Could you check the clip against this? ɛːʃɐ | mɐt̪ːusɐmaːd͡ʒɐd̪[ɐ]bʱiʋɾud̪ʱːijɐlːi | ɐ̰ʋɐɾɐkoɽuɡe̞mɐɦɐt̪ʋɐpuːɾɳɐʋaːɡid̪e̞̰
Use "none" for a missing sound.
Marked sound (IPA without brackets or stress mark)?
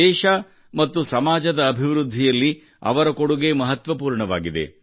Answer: ɐː